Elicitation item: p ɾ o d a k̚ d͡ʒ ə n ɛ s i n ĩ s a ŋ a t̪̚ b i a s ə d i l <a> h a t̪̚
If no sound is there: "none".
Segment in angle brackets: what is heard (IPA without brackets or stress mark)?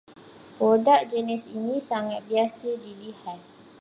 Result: i